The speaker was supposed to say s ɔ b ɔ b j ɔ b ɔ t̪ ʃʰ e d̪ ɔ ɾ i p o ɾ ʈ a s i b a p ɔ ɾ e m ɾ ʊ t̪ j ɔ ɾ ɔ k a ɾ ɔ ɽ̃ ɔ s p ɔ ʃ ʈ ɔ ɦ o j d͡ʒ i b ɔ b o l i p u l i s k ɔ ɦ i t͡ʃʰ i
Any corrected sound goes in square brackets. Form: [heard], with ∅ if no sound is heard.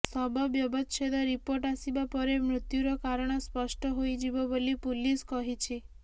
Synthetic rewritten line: s ɔ b ɔ b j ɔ b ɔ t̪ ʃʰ e d̪ ɔ ɾ i p o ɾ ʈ a s i b a p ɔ ɾ e m ɾ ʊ t̪ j [u] ɾ ɔ k a ɾ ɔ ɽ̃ ɔ s p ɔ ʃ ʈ ɔ ɦ o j d͡ʒ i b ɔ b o l i p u l i s k ɔ ɦ i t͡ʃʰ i